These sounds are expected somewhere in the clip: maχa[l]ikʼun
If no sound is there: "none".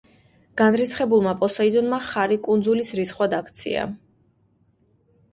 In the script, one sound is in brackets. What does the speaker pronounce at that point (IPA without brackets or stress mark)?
ɾ